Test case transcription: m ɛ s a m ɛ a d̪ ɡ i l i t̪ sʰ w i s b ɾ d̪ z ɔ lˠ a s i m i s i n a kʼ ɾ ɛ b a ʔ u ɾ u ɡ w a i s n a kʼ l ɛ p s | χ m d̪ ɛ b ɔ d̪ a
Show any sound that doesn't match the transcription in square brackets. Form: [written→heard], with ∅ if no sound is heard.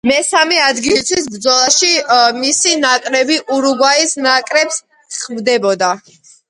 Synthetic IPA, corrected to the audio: m ɛ s a m ɛ a d̪ ɡ i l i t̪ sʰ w i s b ɾ d̪ z ɔ lˠ a [s→ʃ] i m i s i n a kʼ ɾ ɛ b [a→i] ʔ u ɾ u ɡ w a i s n a kʼ [l→ɾ] ɛ p s | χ m d̪ ɛ b ɔ d̪ a